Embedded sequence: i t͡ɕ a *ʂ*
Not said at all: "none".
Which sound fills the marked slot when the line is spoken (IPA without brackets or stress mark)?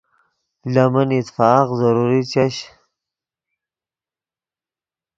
ɕ